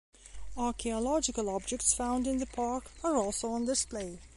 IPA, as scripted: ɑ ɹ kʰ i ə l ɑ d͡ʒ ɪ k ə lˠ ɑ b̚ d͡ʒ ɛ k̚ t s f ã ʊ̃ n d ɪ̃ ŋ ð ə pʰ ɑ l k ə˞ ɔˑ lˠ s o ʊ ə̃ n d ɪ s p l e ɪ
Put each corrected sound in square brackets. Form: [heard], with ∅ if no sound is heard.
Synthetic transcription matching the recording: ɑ ɹ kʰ i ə l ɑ d͡ʒ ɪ k ə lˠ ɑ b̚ d͡ʒ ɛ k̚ t s f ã ʊ̃ n d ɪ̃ [n] ð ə pʰ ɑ [ɹ] k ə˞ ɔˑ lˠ s o ʊ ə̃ n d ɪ s p l e ɪ